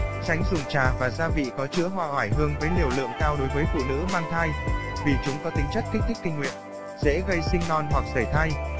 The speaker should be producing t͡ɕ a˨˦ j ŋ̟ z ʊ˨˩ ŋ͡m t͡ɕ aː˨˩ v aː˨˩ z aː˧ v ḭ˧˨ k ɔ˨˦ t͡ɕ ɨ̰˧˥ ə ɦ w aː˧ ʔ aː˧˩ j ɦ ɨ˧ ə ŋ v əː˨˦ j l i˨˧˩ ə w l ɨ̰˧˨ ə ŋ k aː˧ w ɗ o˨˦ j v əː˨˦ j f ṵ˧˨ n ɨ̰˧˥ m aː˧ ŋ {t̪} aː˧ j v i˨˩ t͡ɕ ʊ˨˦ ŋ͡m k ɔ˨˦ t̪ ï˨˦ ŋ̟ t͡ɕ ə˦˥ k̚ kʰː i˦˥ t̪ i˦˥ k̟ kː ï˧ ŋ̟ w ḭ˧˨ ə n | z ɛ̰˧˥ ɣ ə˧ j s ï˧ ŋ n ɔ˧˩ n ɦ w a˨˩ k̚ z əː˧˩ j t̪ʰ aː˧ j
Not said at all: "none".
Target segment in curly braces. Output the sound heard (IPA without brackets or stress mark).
t̪ʰ